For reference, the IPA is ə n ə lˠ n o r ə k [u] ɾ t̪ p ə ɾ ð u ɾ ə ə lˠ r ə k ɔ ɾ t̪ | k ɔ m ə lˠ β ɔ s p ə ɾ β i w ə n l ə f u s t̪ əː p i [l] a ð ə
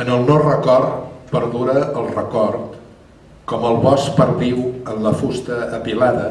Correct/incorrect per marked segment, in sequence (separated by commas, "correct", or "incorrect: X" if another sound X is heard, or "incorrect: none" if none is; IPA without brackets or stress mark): incorrect: ɔ, correct